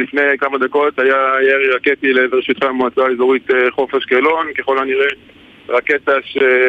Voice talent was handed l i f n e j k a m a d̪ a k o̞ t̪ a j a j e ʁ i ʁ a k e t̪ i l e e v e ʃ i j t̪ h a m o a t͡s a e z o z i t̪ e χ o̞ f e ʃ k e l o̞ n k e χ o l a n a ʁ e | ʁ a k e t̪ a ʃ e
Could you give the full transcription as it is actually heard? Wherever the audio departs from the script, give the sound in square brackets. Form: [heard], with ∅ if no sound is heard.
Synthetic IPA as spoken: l i f n e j k a m a d̪ a k o̞ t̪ a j a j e ʁ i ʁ a k e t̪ i l e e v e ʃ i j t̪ [χ] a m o a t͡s a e z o [ʁ] i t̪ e χ o̞ f e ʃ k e l o̞ n k e χ o l a n [i] ʁ e | ʁ a k e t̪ a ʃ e